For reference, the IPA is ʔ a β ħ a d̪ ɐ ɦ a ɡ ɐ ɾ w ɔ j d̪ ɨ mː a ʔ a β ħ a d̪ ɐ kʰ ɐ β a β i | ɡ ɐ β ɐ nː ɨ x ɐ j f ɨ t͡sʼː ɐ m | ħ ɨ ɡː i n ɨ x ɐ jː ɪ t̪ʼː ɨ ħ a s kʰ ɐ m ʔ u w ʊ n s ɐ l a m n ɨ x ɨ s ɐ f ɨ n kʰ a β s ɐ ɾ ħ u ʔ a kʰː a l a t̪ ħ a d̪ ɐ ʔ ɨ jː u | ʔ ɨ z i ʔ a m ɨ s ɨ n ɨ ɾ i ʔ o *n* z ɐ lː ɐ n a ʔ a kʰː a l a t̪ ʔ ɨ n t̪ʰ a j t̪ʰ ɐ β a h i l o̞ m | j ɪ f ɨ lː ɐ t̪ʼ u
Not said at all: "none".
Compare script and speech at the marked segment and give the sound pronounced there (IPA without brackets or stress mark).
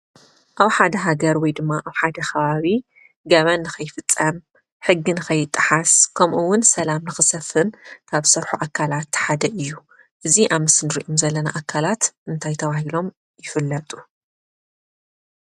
m